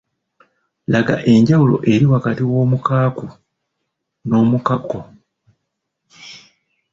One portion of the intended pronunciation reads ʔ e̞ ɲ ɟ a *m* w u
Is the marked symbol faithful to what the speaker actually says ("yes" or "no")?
no